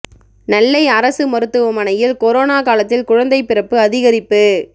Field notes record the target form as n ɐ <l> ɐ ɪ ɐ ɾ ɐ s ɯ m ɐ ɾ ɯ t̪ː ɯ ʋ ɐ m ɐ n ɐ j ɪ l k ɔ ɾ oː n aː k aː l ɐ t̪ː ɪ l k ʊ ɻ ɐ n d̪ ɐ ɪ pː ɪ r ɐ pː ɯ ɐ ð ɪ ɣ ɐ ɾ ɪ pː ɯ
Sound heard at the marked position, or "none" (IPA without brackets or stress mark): lː